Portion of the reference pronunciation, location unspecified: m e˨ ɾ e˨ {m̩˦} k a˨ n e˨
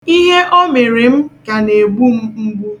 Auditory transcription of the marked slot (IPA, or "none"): m̩˦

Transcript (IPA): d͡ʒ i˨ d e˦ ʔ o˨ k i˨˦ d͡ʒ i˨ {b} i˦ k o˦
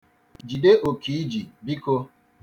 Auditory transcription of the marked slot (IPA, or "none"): b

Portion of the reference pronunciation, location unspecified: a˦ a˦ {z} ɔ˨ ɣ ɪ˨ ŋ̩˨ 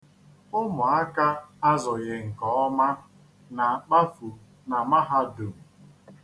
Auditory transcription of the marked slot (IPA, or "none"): z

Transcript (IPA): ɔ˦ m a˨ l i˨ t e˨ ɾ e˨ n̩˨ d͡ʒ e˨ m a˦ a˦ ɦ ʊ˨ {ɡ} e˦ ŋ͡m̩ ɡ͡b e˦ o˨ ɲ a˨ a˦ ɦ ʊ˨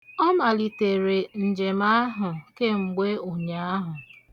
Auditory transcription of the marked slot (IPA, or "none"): k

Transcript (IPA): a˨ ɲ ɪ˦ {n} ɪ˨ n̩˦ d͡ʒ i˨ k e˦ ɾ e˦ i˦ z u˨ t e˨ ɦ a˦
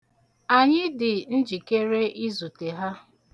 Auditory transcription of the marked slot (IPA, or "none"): d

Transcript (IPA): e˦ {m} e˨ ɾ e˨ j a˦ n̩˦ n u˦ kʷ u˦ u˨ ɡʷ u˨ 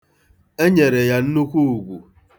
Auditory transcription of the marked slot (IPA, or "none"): ɲ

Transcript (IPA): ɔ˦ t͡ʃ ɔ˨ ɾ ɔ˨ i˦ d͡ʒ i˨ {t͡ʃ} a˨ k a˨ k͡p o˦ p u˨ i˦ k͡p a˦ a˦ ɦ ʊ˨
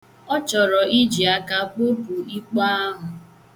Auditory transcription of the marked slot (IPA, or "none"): none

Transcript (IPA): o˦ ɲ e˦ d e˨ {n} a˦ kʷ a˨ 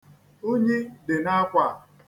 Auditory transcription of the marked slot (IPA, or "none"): n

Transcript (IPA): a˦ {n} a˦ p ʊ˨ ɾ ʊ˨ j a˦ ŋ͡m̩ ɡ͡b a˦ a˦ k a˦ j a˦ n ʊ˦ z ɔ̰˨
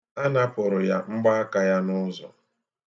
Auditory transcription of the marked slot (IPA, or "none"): n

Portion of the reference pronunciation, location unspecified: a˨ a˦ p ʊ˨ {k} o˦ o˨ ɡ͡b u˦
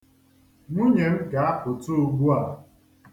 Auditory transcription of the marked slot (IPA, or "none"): t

